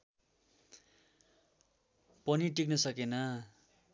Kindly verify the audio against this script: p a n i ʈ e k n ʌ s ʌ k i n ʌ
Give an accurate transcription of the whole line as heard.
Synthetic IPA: p ʌ n i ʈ i k n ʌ s ʌ k e n ʌ